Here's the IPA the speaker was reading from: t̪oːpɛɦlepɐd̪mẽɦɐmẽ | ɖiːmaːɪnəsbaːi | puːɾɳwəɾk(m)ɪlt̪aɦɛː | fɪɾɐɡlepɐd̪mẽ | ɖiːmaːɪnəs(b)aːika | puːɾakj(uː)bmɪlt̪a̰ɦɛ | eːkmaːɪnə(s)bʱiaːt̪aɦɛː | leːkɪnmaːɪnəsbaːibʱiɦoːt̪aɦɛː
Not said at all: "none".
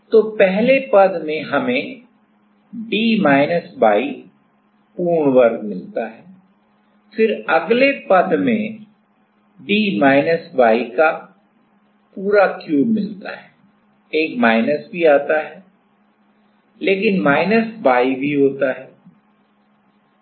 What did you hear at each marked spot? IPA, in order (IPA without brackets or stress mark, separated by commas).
m, b, uː, s